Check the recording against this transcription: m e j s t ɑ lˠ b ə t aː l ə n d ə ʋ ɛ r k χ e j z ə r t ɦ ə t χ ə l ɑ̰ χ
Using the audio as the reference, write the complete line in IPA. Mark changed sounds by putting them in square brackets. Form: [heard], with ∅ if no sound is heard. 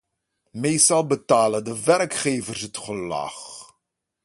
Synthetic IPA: m e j s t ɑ lˠ b ə t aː l ə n d ə ʋ ɛ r k χ e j [v] ə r [s] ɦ ə t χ ə l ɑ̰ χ